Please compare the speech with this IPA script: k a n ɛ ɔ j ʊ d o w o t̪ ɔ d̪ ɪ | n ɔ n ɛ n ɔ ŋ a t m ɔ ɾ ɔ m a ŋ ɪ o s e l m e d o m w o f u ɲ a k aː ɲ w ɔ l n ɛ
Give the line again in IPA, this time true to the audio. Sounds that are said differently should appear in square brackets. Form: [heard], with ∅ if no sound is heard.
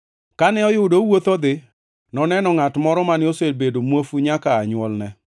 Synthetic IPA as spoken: k a n ɛ ɔ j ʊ d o w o t̪ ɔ d̪ ɪ | n ɔ n ɛ n ɔ ŋ a t m ɔ ɾ ɔ m a [n] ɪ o s e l [b] e d o m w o f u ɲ a k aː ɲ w ɔ l n ɛ